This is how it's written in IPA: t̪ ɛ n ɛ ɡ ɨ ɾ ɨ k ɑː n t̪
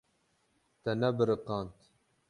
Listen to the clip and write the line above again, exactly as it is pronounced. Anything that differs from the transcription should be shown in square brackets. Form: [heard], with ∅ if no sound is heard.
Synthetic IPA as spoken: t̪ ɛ n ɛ [b] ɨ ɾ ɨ [q] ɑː n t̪